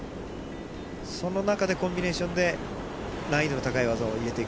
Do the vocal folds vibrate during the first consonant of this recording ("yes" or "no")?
no